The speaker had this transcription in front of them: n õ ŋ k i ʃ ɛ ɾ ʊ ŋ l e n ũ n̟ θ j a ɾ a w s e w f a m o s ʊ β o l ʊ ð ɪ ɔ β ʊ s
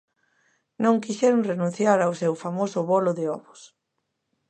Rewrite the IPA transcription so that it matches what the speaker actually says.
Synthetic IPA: n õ ŋ k i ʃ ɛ ɾ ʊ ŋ r e n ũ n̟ θ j a ɾ a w s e w f a m o s ʊ β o l ʊ ð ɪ ɔ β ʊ s